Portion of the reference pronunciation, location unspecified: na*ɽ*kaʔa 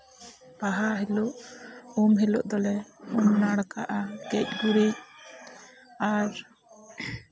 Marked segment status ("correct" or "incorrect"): correct